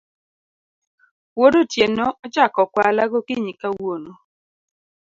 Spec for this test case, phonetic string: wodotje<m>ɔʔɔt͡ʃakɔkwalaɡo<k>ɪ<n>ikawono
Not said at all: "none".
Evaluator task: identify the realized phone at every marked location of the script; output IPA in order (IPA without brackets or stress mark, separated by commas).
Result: n, k, ɲ